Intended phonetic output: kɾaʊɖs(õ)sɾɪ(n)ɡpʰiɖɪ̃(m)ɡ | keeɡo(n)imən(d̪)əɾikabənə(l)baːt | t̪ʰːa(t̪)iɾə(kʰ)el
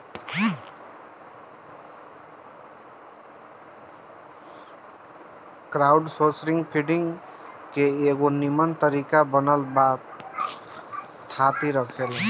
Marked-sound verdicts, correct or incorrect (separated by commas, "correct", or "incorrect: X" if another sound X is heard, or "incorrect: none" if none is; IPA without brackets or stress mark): incorrect: o, incorrect: ŋ, incorrect: ŋ, correct, incorrect: t̪, correct, correct, correct